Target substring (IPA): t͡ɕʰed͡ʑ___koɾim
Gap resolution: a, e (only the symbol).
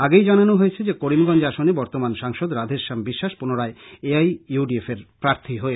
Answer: e